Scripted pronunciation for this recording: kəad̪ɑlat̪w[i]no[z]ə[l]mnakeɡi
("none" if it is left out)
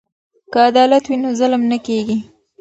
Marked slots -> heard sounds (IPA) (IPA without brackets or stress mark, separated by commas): i, z, l